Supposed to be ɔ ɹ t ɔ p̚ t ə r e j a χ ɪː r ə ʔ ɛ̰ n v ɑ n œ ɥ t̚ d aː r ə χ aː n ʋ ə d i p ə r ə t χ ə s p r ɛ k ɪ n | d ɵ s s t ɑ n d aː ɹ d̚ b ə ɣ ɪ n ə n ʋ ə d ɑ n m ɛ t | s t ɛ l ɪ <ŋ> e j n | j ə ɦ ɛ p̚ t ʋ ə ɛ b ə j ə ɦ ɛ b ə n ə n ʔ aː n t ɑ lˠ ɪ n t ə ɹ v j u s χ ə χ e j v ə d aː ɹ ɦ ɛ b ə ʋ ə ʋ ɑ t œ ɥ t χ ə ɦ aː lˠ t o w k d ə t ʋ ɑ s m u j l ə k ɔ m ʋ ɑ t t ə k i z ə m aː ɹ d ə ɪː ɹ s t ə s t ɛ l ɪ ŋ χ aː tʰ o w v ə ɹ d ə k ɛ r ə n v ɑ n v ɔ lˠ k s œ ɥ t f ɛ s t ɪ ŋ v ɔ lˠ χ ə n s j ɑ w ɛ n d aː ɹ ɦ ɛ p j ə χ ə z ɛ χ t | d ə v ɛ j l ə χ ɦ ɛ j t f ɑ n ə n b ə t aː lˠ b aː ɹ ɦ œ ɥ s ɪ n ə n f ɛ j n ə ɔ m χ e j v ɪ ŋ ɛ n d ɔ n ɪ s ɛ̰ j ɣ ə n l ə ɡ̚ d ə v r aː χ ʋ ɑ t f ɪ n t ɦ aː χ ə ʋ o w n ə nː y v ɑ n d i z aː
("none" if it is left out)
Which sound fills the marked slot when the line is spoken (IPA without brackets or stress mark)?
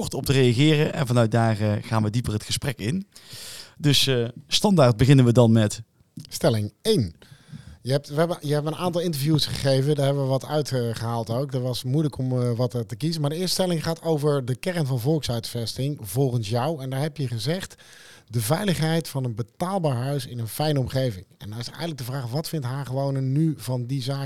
ŋ